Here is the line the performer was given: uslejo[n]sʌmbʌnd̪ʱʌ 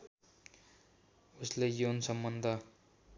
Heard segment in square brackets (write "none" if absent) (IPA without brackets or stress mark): n